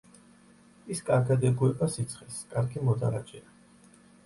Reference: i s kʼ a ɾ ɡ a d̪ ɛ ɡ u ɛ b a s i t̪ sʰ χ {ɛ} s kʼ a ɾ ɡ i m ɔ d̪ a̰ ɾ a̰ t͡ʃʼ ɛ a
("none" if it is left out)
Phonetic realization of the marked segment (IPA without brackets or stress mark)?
ɛ